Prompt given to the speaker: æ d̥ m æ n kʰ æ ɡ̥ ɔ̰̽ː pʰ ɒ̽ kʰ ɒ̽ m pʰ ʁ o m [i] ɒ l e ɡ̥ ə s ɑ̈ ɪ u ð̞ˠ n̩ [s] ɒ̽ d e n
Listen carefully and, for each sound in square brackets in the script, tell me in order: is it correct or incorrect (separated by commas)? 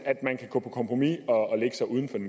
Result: correct, incorrect